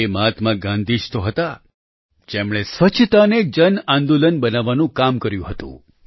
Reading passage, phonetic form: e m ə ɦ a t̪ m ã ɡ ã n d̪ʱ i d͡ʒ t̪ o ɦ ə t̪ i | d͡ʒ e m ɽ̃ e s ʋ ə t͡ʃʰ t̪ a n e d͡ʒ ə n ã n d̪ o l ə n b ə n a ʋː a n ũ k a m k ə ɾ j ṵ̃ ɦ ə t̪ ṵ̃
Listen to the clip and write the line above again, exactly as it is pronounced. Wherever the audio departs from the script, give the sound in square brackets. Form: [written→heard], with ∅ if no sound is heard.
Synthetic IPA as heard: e m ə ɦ a t̪ m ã ɡ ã n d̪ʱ i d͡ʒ t̪ o ɦ ə t̪ [i→a] | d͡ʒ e m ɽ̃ e s ʋ ə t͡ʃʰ t̪ a n e d͡ʒ ə n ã n d̪ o l ə n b ə n a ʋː a n ũ k a m k ə ɾ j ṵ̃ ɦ ə t̪ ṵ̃

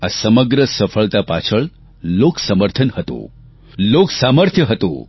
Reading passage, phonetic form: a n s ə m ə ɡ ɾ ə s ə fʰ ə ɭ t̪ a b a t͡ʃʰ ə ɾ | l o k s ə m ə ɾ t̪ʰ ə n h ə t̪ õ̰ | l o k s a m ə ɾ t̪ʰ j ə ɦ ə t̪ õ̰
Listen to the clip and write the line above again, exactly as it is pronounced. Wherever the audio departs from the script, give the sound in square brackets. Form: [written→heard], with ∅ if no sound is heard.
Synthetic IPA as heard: a [n→∅] s ə m ə ɡ ɾ ə s ə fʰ ə ɭ t̪ a [b→p] a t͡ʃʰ ə [ɾ→ɭ] | l o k s ə m ə ɾ t̪ʰ ə n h ə t̪ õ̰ | l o k s a m ə ɾ t̪ʰ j ə ɦ ə t̪ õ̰

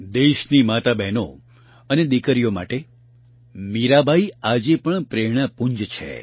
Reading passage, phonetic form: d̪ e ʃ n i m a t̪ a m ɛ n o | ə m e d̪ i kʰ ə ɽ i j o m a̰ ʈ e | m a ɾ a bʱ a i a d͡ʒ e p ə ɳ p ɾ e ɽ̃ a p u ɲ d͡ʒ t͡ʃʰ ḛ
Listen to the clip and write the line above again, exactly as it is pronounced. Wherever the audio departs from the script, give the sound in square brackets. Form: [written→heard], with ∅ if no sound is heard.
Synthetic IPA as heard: d̪ e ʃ n i m a t̪ a [m→b] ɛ n o | ə [m→n] e d̪ i [kʰ→k] ə [ɽ→ɾ] i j o m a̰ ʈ e | m [a→i] ɾ a bʱ a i a d͡ʒ e p ə ɳ p ɾ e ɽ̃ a p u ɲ d͡ʒ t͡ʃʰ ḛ

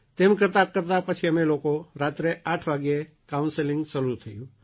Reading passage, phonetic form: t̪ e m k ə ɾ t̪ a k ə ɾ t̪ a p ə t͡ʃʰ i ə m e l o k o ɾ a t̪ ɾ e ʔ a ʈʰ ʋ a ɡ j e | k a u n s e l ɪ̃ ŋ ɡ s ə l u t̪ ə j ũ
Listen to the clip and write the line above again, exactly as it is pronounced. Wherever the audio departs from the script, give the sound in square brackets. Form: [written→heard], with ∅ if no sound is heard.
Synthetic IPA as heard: t̪ e m k ə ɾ t̪ a k ə ɾ t̪ a p ə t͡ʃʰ i ə m e l o k o ɾ a t̪ ɾ e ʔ a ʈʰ ʋ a ɡ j e | k a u n s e l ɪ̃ ŋ ɡ s ə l u [t̪→t̪ʰ] ə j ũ

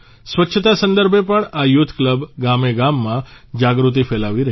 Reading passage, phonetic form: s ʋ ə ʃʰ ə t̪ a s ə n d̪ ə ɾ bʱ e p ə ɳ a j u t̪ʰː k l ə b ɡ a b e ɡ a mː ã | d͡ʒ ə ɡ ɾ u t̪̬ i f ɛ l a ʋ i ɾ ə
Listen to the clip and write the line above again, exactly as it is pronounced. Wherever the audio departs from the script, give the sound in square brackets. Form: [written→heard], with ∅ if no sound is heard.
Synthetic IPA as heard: s ʋ ə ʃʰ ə t̪ a s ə n d̪ ə ɾ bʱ e p ə ɳ a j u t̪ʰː k l ə b ɡ a [b→m] e ɡ a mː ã | d͡ʒ [ə→a] ɡ ɾ u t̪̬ i f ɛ l a ʋ i ɾ ə

